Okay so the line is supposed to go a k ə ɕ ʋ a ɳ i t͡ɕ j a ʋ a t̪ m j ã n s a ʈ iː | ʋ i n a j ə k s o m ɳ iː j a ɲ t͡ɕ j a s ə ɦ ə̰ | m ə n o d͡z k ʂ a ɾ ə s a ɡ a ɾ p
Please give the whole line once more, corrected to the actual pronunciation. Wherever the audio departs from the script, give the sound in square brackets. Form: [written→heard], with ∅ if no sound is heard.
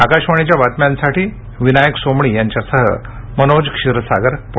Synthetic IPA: a k [ə→a] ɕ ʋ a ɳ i t͡ɕ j a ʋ a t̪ m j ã n s a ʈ iː | ʋ i n a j ə k s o m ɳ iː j a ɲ t͡ɕ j a s ə ɦ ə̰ | m ə n o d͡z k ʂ [a→i] ɾ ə s a ɡ [a→ə] ɾ p